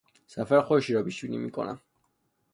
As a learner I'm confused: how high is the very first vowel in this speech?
low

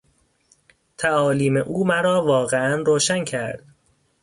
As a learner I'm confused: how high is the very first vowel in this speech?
low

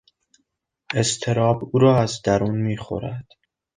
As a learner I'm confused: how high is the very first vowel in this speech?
mid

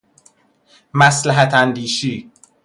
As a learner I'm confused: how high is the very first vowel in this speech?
low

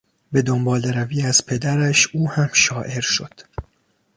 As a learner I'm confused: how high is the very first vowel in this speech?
mid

